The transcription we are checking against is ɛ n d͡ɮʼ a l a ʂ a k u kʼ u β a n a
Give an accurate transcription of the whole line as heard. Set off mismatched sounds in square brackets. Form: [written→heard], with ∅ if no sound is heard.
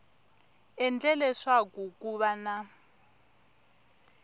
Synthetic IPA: ɛ n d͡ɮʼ [a→ɛ] l [a→ɛ] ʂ a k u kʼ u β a n a